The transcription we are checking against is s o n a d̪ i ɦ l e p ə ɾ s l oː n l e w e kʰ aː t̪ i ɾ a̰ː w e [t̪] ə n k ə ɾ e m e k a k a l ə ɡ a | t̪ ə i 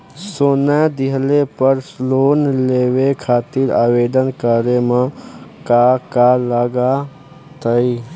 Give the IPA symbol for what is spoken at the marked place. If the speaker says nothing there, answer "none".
d̪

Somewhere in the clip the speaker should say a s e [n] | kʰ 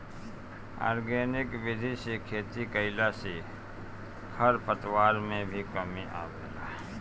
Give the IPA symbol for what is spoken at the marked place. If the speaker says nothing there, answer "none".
none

